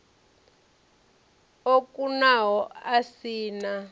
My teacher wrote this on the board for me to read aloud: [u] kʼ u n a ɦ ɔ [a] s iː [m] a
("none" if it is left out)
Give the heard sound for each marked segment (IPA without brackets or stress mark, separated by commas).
o, a, n